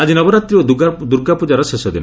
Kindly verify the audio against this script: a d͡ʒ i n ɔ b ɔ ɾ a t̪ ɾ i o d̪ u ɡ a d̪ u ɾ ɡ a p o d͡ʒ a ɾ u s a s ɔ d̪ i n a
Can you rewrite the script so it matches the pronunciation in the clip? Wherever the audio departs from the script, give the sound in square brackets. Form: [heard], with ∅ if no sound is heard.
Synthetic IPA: a d͡ʒ i n ɔ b ɔ ɾ a t̪ ɾ i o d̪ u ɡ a d̪ u ɾ ɡ a p [u] d͡ʒ a ɾ [ɔ] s [e] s ɔ d̪ i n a

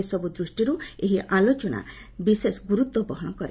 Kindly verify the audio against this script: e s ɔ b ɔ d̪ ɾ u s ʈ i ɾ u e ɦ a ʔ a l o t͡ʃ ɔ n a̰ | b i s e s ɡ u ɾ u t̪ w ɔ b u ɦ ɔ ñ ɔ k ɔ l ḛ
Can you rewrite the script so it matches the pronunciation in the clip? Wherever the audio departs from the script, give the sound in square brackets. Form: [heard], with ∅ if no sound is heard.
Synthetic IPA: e s ɔ b [u] d̪ ɾ u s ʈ i ɾ u e ɦ [i] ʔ a l o t͡ʃ ɔ n a̰ | b i s e s ɡ u ɾ u t̪ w ɔ b [ɔ] ɦ ɔ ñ ɔ k ɔ [ɾ] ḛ

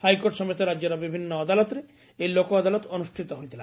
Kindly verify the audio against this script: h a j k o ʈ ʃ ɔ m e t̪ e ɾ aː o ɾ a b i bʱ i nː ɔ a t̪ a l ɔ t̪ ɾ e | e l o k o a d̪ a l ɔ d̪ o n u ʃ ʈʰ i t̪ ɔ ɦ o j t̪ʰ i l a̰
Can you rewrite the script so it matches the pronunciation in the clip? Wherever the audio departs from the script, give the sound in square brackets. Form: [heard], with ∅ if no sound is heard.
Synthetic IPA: h a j k o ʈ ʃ ɔ m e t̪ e ɾ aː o ɾ a b i bʱ i nː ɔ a [d̪] a l ɔ t̪ ɾ e | e l o k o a d̪ a l ɔ [t̪] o n u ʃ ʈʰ i t̪ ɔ ɦ o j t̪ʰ i l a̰

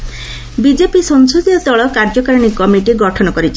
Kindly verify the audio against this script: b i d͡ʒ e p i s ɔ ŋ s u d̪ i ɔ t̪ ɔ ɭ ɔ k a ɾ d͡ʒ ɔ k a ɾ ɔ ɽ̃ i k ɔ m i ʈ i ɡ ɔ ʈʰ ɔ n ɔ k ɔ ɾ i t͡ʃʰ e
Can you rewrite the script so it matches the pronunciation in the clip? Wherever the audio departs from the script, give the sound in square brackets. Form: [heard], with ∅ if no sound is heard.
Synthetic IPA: b i d͡ʒ e p i s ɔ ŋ s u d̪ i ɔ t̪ ɔ ɭ ɔ k a ɾ d͡ʒ ɔ k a ɾ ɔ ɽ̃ i k ɔ m i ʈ i ɡ ɔ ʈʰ ɔ n ɔ k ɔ ɾ i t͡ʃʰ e

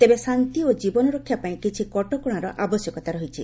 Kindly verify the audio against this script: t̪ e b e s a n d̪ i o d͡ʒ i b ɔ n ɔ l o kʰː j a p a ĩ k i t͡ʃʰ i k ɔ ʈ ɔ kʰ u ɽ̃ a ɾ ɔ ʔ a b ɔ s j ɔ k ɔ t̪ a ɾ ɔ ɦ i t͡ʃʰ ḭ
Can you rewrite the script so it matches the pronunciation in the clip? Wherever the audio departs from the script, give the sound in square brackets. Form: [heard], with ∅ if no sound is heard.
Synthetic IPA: t̪ e b e s a n [t̪] i o d͡ʒ i b ɔ n ɔ [ɾ] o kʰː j a p a ĩ k i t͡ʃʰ i k ɔ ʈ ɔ [k] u ɽ̃ a ɾ ɔ ʔ a b ɔ s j ɔ k ɔ t̪ a ɾ ɔ ɦ i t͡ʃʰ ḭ

